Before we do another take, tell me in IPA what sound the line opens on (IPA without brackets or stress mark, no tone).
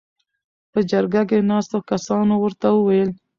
p